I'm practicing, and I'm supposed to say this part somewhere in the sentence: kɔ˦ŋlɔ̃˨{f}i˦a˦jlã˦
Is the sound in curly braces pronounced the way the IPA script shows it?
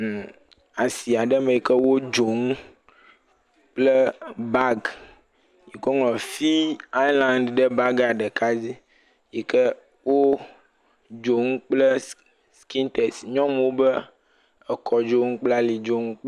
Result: yes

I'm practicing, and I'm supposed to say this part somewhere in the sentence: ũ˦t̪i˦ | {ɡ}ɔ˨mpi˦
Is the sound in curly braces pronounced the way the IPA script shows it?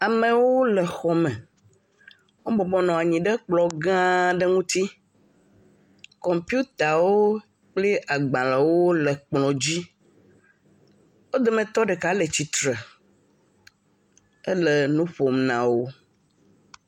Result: no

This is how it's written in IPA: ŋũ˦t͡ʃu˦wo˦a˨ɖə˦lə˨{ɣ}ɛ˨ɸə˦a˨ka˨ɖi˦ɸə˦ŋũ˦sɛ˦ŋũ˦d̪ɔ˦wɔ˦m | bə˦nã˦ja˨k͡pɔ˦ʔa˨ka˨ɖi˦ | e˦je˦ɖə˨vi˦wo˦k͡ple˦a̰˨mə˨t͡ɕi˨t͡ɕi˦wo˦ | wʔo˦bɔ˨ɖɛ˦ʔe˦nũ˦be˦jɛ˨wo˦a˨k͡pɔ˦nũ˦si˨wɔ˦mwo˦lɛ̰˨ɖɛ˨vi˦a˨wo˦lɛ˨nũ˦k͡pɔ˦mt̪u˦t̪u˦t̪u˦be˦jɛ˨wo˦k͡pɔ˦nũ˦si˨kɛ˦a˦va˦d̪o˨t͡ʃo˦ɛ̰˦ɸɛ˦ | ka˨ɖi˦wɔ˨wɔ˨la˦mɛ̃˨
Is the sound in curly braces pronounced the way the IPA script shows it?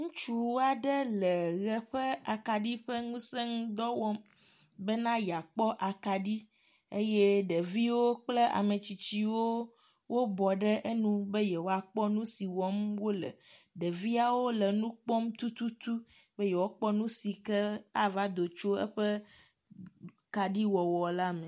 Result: yes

